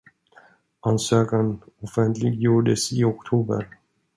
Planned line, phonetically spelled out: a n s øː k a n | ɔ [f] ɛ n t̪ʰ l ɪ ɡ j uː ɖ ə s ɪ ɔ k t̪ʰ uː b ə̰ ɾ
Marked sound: correct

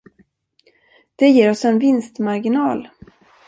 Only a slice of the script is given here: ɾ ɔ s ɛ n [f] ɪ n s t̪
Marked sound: incorrect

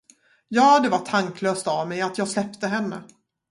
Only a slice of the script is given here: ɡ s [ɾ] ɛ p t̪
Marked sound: incorrect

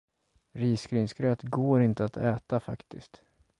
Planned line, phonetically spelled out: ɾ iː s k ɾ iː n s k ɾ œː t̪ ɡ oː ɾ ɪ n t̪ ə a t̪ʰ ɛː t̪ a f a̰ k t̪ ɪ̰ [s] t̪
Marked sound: correct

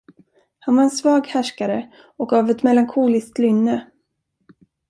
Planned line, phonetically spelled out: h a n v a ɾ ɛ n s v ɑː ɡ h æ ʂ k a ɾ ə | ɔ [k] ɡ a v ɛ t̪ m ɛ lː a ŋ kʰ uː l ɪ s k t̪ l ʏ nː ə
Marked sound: correct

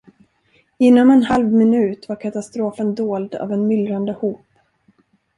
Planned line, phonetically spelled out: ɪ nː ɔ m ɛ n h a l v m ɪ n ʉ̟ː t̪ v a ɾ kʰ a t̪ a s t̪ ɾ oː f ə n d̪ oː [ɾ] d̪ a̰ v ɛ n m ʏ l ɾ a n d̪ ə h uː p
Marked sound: incorrect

